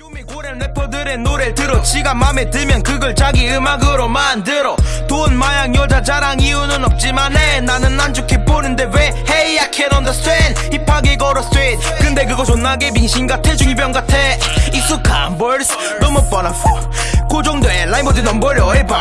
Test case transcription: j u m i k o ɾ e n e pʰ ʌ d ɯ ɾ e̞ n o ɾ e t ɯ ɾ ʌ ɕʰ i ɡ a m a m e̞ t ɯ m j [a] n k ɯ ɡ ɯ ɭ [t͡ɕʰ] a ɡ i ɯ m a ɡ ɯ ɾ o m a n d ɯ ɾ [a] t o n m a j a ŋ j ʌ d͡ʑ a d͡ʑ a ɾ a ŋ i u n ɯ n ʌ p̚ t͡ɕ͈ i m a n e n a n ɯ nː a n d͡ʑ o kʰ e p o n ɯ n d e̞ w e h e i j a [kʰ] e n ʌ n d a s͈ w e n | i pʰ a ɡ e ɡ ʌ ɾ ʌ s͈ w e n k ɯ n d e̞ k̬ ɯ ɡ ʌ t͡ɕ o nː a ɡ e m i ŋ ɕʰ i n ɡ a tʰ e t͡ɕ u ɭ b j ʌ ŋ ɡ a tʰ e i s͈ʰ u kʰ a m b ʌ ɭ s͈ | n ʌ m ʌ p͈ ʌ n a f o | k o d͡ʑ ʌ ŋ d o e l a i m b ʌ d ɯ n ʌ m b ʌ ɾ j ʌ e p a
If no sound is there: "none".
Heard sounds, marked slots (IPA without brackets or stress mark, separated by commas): ʌ, t͡ɕ, ʌ, kʰ